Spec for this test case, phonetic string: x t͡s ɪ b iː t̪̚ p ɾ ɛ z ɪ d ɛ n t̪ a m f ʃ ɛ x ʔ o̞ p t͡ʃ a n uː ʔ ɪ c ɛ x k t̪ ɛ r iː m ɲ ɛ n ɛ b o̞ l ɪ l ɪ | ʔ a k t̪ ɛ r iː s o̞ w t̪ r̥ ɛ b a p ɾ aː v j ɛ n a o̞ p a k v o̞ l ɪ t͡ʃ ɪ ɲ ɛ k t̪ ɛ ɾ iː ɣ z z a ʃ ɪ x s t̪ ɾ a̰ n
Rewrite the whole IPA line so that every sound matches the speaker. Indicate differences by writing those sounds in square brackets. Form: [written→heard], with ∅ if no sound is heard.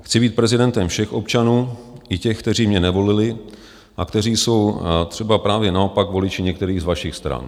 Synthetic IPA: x t͡s ɪ b iː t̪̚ p ɾ ɛ z ɪ d ɛ n t̪ [a→ɛ] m f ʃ ɛ x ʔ o̞ p t͡ʃ a n uː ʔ ɪ c ɛ x k t̪ ɛ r iː m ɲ ɛ n ɛ [b→v] o̞ l ɪ l ɪ | ʔ a k t̪ ɛ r iː s o̞ w t̪ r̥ ɛ b a p ɾ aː v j ɛ n a o̞ p a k v o̞ l ɪ t͡ʃ ɪ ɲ ɛ k t̪ ɛ ɾ iː ɣ z [z→v] a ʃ ɪ x s t̪ ɾ a̰ n